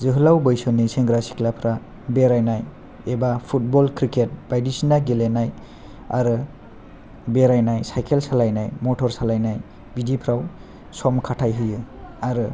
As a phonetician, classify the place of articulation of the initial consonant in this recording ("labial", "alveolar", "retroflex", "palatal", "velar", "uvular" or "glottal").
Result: alveolar